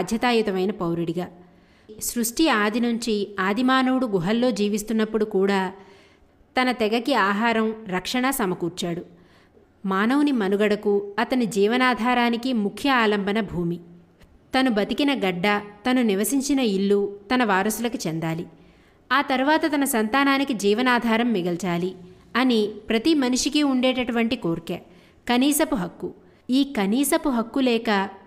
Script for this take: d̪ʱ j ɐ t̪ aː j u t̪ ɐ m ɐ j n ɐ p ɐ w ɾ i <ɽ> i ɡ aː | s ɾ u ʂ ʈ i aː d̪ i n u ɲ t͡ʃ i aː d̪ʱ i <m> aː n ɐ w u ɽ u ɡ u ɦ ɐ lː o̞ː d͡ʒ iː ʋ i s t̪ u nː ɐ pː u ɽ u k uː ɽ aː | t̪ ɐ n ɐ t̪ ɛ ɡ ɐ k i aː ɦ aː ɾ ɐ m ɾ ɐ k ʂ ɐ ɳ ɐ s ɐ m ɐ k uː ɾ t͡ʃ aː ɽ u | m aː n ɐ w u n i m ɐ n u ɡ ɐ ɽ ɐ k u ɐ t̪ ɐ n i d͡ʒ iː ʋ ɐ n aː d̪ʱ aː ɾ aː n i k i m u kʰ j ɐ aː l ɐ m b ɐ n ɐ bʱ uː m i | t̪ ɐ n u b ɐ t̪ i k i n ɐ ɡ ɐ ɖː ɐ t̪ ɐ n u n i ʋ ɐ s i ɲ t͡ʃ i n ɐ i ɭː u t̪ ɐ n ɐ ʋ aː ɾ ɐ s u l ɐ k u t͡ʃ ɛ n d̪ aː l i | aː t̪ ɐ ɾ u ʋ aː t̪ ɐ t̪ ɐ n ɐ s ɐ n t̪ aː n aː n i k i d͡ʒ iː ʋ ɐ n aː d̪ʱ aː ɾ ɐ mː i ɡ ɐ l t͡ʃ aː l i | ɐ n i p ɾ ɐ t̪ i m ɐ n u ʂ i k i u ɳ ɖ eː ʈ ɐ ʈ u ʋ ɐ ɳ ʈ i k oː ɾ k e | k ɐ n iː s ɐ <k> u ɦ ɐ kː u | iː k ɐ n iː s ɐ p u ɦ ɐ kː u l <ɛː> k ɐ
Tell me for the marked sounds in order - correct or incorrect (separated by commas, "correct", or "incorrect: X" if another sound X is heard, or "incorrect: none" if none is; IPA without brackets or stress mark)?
correct, correct, incorrect: p, correct